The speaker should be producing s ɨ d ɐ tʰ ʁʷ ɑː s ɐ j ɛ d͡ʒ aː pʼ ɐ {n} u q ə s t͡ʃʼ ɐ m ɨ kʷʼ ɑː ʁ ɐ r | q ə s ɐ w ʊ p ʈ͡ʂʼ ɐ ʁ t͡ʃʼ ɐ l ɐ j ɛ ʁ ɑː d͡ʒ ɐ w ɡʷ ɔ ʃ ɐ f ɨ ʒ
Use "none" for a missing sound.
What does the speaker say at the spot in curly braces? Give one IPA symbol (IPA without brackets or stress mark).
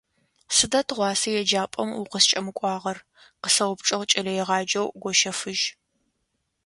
m